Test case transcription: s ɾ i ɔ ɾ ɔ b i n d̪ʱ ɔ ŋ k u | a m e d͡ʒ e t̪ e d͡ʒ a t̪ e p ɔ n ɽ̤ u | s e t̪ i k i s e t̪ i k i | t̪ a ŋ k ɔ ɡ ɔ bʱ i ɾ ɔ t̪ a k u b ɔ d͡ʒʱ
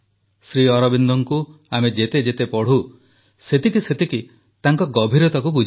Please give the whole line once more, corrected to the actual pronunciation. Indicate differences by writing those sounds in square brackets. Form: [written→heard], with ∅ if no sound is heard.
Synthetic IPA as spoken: s ɾ i ɔ ɾ ɔ b i n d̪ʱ ɔ ŋ k u | a m e d͡ʒ e t̪ e d͡ʒ [a→e] t̪ e p ɔ [n→∅] ɽ̤ u | s e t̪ i k i s e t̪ i k i | t̪ a ŋ k ɔ ɡ ɔ bʱ i ɾ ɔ t̪ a k u b [ɔ→u] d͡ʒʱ